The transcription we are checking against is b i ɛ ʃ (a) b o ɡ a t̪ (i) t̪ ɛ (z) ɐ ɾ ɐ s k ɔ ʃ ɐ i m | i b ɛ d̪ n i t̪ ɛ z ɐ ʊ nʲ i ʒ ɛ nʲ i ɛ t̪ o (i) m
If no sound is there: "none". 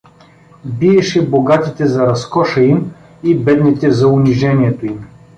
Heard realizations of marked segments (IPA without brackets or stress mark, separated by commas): ɛ, i, z, i